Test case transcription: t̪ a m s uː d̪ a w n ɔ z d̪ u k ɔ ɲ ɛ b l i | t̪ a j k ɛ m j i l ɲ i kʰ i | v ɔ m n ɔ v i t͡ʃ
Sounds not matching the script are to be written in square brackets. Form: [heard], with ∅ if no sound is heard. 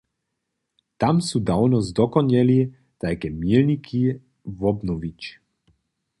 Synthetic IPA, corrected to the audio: t̪ a m s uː d̪ a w n ɔ z d̪ [ɔ] k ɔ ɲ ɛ [∅] l i | t̪ a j k ɛ m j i l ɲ i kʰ i | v ɔ [b] n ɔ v i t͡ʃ